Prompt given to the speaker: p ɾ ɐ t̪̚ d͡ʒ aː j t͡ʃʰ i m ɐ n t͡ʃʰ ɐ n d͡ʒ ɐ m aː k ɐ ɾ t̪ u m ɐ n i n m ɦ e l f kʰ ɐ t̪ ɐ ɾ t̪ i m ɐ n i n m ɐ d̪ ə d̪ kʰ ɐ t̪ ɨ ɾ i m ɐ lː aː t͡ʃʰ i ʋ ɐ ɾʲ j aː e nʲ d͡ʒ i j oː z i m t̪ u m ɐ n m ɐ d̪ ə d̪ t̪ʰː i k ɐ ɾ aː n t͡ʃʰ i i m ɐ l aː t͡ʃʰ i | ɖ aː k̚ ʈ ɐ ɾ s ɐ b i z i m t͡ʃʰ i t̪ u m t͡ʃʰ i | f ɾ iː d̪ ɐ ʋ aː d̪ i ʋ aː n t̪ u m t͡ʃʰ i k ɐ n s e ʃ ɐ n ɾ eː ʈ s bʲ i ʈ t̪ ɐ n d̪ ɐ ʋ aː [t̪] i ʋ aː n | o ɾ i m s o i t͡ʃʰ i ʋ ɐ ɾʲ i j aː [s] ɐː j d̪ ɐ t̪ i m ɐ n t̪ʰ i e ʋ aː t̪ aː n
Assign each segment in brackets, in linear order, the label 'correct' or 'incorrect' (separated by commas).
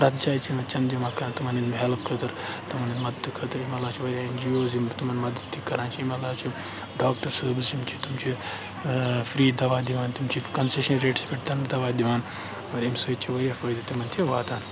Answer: incorrect, incorrect